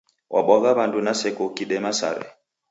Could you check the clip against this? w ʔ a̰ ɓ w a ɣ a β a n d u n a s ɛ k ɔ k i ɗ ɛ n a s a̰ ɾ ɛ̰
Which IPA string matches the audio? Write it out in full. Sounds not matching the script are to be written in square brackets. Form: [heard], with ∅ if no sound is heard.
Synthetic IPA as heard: w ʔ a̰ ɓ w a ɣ a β a n d u n a s ɛ k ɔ k i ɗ ɛ [m] a s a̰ ɾ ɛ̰